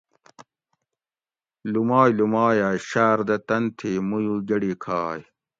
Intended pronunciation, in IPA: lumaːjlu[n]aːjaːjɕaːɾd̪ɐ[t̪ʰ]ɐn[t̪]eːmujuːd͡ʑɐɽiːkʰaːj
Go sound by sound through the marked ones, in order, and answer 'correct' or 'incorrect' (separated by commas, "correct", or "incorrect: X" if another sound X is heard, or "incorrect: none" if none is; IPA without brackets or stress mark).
incorrect: m, incorrect: t̪, incorrect: t̪ʰ